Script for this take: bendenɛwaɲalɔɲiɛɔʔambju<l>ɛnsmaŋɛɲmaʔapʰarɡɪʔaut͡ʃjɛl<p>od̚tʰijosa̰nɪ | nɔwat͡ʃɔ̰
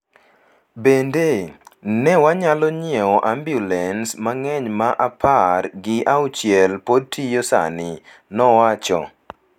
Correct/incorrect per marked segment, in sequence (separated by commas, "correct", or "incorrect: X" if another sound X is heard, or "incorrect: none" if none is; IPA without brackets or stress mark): correct, correct